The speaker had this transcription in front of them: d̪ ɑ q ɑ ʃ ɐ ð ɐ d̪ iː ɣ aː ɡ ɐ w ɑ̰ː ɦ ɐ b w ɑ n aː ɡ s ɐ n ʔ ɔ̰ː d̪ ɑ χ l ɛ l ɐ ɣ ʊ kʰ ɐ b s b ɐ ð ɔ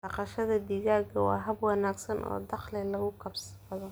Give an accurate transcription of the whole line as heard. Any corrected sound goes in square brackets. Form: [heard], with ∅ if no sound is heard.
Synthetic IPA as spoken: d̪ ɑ q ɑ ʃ ɐ ð ɐ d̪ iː ɣ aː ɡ ɐ w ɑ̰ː ɦ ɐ b w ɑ n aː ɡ s ɐ n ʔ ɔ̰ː d̪ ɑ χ l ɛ l ɐ ɣ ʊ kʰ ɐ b s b ɐ ð ɔ